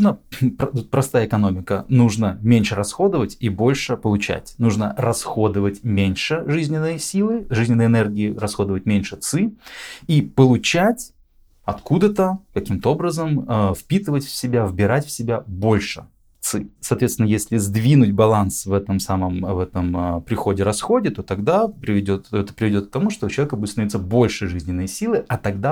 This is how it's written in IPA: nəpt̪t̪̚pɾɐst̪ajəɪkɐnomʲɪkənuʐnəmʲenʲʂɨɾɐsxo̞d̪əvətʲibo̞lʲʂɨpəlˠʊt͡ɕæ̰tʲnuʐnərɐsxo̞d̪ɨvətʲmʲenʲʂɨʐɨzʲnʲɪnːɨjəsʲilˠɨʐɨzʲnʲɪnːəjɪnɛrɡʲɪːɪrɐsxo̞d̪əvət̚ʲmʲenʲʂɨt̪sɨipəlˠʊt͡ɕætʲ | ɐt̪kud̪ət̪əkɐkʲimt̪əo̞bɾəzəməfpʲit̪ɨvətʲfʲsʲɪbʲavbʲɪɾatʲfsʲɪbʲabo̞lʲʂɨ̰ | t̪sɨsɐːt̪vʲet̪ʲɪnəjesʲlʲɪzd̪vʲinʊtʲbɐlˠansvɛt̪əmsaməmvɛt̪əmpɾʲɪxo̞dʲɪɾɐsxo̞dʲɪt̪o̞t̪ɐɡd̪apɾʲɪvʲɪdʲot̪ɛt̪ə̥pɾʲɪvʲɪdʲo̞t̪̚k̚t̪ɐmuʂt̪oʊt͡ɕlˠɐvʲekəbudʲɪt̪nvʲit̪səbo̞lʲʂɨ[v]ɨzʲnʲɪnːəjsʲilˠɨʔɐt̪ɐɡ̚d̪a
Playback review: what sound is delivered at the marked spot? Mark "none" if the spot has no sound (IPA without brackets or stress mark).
ʐ